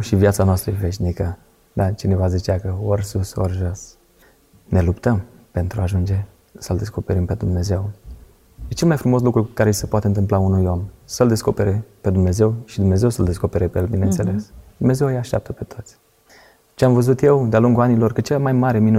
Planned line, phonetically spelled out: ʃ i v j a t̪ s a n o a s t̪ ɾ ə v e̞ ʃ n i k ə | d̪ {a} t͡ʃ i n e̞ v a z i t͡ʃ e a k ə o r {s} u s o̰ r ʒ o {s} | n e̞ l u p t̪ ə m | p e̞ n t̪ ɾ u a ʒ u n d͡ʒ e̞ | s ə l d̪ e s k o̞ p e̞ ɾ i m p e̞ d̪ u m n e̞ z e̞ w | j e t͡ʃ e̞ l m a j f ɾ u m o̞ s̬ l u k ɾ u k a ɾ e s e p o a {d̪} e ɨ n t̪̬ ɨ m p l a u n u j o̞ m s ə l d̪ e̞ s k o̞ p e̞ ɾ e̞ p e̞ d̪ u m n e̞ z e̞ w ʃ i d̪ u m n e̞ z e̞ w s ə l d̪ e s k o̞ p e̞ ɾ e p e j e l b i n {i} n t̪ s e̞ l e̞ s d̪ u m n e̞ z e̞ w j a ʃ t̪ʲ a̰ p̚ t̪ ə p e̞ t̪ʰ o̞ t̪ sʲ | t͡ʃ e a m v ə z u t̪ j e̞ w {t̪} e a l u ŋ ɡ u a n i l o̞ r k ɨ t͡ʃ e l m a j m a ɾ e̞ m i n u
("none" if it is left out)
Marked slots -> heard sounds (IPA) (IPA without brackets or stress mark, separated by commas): a, s, s, t̪, e, d̪